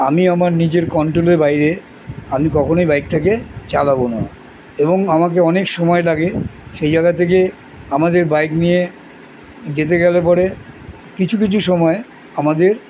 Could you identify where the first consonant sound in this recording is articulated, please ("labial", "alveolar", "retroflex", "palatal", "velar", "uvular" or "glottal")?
labial